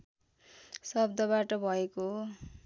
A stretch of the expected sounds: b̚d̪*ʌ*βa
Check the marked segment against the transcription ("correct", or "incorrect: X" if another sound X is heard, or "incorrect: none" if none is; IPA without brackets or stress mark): correct